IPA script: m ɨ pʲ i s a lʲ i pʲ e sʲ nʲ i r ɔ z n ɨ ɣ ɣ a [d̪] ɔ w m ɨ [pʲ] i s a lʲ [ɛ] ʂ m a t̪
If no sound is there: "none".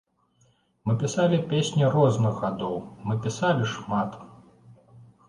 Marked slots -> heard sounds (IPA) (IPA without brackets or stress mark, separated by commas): d̪, pʲ, i